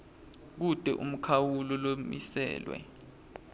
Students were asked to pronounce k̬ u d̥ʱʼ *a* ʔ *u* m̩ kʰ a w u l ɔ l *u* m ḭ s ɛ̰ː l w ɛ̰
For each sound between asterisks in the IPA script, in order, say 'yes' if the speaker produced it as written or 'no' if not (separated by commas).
no, yes, no